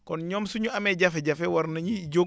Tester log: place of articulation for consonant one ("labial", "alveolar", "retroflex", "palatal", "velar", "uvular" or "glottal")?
velar